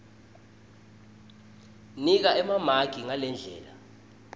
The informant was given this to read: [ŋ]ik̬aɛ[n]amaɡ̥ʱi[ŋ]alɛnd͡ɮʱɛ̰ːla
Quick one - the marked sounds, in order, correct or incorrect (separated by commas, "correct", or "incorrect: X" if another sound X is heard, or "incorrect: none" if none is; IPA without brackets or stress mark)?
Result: incorrect: n, incorrect: m, correct